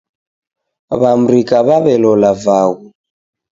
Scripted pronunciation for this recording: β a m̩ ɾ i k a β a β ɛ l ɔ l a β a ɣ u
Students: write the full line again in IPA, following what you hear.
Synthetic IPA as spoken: β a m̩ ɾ i k a β a β ɛ l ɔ l a v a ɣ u

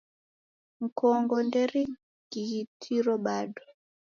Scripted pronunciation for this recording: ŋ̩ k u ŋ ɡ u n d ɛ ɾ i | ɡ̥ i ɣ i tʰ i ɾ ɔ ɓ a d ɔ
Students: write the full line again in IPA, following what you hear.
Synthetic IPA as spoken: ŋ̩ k ɔ ŋ ɡ ɔ n d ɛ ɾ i | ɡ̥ i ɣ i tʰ i ɾ ɔ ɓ a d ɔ

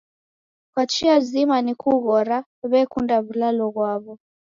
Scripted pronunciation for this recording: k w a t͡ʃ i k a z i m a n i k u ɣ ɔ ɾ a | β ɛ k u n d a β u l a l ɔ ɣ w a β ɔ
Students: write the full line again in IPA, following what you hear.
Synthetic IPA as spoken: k w a t͡ʃ i a z i m a n i k u ɣ ɔ ɾ a | β ɛ k u n d a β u l a l ɔ ɣ w a β ɔ

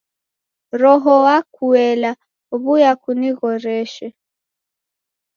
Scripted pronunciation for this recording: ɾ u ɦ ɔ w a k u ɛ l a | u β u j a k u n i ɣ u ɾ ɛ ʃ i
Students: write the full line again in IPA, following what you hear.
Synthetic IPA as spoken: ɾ ɔ ɦ ɔ w a k u ɛ l a | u β u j a k u n i ɣ ɔ ɾ ɛ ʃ ɛ

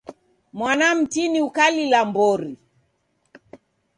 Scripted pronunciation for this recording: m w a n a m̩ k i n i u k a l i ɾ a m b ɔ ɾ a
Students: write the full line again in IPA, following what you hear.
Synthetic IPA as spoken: m w a n a m̩ t i n i u k a l i l a m b ɔ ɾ i

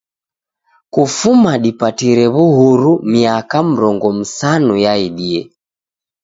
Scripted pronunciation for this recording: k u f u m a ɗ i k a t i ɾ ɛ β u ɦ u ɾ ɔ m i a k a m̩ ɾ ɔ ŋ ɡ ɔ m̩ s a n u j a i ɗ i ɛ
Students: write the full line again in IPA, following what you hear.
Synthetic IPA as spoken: k u f u m a ɗ i p a t i ɾ ɛ β u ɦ u ɾ u m i a k a m̩ ɾ ɔ ŋ ɡ ɔ m̩ s a n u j a i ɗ i ɛ

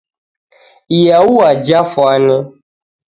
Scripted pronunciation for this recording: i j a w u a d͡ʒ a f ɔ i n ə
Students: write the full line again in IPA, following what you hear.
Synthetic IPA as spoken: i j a w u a d͡ʒ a f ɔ a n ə

